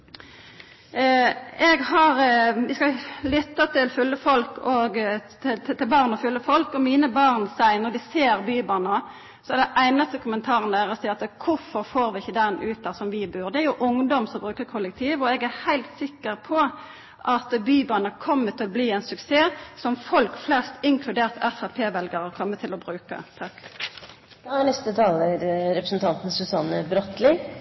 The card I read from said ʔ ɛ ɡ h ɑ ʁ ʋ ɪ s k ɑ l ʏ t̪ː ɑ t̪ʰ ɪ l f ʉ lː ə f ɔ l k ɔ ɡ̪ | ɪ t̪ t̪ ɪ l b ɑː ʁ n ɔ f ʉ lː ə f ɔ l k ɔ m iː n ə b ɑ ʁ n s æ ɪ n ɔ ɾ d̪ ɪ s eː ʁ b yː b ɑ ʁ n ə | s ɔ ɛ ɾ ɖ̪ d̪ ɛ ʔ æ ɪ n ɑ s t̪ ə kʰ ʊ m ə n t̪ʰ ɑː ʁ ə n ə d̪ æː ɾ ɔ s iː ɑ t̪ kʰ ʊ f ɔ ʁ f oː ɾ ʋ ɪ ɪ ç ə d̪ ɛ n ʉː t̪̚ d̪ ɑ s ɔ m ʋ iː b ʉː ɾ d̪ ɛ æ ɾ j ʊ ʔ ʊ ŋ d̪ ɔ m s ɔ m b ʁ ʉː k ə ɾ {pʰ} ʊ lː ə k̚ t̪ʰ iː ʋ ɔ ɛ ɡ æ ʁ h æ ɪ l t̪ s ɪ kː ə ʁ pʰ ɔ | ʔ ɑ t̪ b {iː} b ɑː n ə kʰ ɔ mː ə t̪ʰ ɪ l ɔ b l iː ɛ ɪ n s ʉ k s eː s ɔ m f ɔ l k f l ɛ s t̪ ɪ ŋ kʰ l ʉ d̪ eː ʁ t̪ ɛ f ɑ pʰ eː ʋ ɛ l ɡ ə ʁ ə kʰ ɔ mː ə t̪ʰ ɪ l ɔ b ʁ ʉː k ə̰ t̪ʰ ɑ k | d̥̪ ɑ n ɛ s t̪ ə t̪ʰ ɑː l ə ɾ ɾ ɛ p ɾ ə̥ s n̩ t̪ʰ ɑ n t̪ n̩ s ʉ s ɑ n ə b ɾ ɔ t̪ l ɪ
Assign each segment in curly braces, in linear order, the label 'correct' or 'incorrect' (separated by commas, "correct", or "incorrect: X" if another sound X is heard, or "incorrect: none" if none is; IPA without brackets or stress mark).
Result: incorrect: kʰ, incorrect: yː